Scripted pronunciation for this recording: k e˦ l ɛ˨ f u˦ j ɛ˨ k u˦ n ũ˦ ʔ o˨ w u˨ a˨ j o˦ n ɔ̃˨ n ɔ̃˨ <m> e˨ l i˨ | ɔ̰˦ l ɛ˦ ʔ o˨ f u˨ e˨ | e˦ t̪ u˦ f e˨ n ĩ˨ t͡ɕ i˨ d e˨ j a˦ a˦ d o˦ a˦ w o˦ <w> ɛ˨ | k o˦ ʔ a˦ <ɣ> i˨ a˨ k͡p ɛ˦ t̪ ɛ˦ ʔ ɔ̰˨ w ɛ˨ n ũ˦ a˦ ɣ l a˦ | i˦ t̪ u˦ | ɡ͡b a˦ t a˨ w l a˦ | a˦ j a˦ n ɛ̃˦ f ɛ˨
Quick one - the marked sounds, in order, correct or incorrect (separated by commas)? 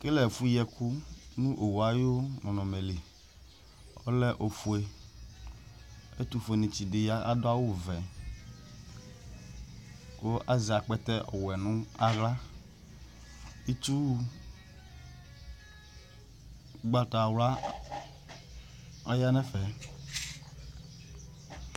correct, incorrect, incorrect